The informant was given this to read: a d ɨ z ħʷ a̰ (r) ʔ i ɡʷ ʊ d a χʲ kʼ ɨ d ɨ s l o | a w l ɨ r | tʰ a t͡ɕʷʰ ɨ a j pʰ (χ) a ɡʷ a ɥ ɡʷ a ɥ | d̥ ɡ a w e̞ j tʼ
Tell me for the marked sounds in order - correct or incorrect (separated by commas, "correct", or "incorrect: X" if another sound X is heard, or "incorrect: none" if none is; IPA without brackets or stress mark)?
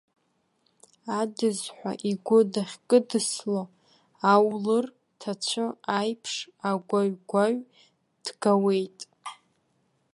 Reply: incorrect: none, incorrect: ʂ